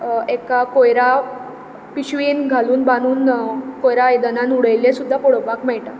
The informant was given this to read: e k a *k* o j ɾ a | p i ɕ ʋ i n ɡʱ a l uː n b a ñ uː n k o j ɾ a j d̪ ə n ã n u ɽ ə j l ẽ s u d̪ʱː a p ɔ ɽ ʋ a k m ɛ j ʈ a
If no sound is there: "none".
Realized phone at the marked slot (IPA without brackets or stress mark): k